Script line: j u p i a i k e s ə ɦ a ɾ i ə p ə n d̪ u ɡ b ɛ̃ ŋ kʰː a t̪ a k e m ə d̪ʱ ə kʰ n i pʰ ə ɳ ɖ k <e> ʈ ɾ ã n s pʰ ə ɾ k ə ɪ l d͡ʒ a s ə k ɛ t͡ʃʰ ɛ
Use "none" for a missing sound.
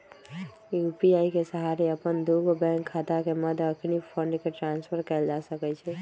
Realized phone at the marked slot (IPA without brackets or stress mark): e